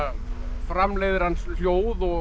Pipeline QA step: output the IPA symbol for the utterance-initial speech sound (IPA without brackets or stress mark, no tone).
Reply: f